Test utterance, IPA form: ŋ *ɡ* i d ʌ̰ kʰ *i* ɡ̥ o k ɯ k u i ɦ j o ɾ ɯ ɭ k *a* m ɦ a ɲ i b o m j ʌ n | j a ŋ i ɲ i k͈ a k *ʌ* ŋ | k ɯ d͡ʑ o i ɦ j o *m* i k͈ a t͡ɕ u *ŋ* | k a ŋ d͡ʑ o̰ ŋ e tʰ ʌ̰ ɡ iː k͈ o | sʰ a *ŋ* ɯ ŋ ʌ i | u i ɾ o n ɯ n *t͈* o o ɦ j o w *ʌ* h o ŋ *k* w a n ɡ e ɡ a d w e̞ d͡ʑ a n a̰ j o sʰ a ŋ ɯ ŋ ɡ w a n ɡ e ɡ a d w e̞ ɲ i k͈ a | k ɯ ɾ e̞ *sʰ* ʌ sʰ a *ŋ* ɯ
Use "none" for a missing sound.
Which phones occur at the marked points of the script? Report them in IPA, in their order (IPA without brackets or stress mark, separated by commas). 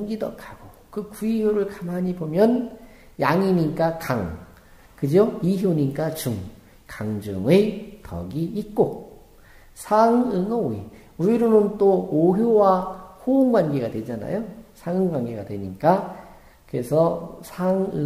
ɡ, a, a, a, ɲ, ŋ, ŋ, t͈, a, ɡ, sʰ, ŋ